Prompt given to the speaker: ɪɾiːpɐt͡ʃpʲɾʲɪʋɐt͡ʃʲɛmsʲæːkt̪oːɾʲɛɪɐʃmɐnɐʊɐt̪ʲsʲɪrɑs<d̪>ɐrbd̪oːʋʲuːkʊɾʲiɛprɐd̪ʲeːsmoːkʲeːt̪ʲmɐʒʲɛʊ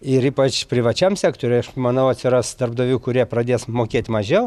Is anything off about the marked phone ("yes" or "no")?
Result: no